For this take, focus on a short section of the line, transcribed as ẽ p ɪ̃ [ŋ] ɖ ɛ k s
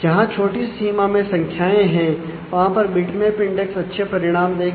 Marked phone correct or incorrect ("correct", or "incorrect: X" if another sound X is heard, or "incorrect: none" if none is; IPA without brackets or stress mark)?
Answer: incorrect: ɳ